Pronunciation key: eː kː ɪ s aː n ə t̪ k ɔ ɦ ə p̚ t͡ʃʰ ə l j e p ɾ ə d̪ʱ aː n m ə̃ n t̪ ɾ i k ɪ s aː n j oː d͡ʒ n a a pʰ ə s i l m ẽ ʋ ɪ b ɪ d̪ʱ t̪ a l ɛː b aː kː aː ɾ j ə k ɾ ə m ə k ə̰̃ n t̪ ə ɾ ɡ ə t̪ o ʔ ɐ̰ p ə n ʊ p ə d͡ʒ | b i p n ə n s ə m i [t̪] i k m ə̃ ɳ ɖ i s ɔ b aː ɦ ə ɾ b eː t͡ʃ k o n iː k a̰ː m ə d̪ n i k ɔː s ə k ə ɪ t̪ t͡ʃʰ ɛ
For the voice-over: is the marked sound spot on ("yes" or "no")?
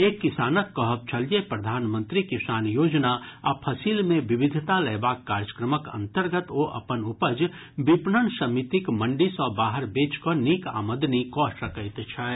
yes